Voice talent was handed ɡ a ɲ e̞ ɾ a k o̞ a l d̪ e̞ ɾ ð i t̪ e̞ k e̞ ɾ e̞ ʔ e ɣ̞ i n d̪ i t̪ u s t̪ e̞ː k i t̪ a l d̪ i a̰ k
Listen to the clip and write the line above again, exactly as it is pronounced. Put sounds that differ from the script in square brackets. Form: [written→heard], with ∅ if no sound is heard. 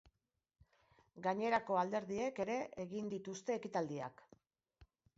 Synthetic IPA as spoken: ɡ a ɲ e̞ ɾ a k o̞ a l d̪ e̞ ɾ ð i [t̪→∅] e̞ k e̞ ɾ e̞ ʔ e ɣ̞ i n d̪ i t̪ u s t̪ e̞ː k i t̪ a l d̪ i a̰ k